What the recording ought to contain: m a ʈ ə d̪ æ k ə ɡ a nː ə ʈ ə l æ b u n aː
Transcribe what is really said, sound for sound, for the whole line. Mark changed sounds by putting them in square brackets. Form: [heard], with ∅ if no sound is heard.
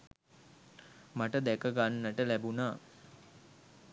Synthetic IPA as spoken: m a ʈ ə d̪ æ k ə ɡ a nː ə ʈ ə l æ b u n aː